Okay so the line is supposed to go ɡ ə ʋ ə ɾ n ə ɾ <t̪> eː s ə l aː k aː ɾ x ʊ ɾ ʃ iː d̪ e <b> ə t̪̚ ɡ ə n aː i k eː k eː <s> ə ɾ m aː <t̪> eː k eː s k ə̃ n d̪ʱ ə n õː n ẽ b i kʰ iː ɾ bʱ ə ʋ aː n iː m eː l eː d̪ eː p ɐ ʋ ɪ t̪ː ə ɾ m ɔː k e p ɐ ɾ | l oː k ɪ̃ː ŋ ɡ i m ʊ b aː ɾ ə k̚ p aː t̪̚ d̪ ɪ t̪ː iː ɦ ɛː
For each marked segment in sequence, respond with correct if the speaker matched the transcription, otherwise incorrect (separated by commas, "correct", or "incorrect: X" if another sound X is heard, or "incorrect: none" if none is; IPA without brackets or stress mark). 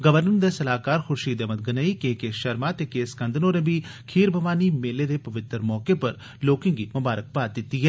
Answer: incorrect: d̪, incorrect: m, incorrect: ʃ, correct